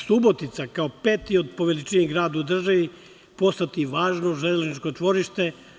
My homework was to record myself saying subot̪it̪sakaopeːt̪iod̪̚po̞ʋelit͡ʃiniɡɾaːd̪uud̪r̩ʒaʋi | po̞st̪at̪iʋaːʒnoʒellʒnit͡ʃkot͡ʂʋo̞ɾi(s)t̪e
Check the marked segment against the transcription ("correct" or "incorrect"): incorrect